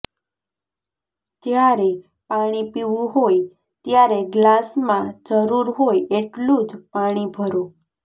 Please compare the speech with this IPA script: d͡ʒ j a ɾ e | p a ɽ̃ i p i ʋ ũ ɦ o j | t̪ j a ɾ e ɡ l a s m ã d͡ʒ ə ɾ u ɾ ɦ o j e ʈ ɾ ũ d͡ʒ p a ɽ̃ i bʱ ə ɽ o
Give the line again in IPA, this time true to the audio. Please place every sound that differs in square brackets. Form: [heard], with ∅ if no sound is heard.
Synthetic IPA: d͡ʒ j a ɾ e | p a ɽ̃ i p i ʋ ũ ɦ o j | t̪ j a ɾ e ɡ l a s m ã d͡ʒ ə ɾ u ɾ ɦ o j e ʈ [l] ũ d͡ʒ p a ɽ̃ i bʱ ə [ɾ] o